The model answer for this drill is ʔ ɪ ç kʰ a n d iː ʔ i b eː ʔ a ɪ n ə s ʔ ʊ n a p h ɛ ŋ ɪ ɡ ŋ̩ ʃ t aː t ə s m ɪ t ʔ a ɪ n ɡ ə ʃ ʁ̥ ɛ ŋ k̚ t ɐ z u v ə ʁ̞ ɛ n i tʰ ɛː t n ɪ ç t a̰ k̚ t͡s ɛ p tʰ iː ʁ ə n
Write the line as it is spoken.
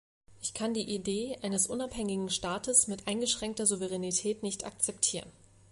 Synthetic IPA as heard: ʔ ɪ ç kʰ a n d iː ʔ i d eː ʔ a ɪ n ə s ʔ ʊ n a p h ɛ ŋ ɪ ɡ ŋ̩ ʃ t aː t ə s m ɪ t ʔ a ɪ n ɡ ə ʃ ʁ̥ ɛ ŋ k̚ t ɐ z u v ə ʁ̞ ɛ n i tʰ ɛː t n ɪ ç t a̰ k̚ t͡s ɛ p tʰ iː ʁ ə n

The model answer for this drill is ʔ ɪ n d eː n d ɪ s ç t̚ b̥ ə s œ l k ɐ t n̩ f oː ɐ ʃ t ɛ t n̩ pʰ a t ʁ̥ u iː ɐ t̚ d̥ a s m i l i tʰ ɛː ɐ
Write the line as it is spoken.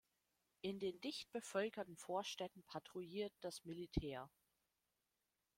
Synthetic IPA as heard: ʔ ɪ n d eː n d ɪ ç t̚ b̥ ə f œ l k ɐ t n̩ f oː ɐ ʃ t ɛ t n̩ pʰ a t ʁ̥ u iː ɐ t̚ d̥ a s m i l i tʰ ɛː ɐ

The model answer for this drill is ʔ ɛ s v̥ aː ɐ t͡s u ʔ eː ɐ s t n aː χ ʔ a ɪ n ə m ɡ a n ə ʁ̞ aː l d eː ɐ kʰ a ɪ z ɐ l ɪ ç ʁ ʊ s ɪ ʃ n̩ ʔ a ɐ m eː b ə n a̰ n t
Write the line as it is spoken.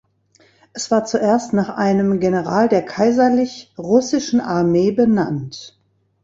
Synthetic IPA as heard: ʔ ɛ s v̥ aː ɐ t͡s u ʔ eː ɐ s t n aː χ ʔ a ɪ n ə m ɡ e n ə ʁ̞ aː l d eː ɐ kʰ a ɪ z ɐ l ɪ ç ʁ ʊ s ɪ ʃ n̩ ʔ a ɐ m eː b ə n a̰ n t

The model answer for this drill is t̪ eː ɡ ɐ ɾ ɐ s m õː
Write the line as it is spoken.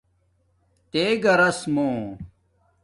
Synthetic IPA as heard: t̪ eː ɡ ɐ ɾ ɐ s m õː

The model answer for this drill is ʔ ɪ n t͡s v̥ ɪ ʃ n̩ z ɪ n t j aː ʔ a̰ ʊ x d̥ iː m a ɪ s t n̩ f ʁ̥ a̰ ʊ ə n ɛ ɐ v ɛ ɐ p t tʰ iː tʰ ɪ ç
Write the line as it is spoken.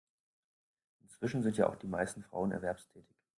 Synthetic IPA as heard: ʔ ɪ n t͡s v̥ ɪ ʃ n̩ z ɪ n t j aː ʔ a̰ ʊ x d̥ iː m a ɪ s t n̩ f ʁ̥ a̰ ʊ ə n ɛ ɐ v ɛ ɐ p s tʰ ɛː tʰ ɪ ç

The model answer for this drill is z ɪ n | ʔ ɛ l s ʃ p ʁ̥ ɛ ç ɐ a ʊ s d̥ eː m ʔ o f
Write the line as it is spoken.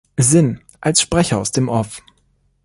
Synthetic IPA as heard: z ɪ n | ʔ a l s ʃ p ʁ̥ ɛ ç ɐ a ʊ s d̥ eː m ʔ ɔ f

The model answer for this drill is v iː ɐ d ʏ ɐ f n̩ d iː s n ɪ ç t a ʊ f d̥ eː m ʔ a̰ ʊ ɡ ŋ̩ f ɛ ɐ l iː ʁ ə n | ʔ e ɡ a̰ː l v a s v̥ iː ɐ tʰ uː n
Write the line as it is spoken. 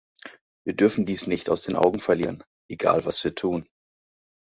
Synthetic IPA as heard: v iː ɐ d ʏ ɐ f n̩ d iː s n ɪ ç t a ʊ s d̥ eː n ʔ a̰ ʊ ɡ ŋ̩ f ɛ ɐ l iː ʁ ə n | ʔ e ɡ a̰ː l v a s v̥ iː ɐ tʰ uː n

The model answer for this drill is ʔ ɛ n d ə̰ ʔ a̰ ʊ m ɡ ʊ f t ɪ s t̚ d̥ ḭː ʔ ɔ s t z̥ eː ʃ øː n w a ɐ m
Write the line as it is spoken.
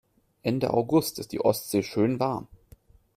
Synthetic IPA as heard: ʔ ɛ n d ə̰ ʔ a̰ ʊ ɡ ʊ s t ɪ s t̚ d̥ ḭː ʔ ɔ s t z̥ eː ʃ øː n v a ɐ m

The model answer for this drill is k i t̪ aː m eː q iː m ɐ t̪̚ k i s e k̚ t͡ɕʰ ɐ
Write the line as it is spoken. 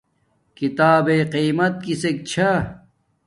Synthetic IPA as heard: k i t̪ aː b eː q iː m ɐ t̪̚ k i s e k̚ t͡ɕʰ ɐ

